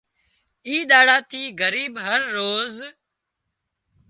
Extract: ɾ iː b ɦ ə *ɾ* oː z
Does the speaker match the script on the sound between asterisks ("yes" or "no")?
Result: no